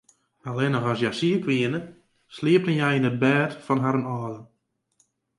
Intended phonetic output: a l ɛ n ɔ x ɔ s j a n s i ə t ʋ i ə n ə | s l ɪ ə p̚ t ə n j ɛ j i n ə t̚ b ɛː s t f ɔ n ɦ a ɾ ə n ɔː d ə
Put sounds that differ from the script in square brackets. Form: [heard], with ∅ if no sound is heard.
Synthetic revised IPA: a l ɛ n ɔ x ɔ s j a [∅] s i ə [k] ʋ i ə n ə | s l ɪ ə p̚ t ə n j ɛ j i n ə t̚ b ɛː [∅] t f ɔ n ɦ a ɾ ə n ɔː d ə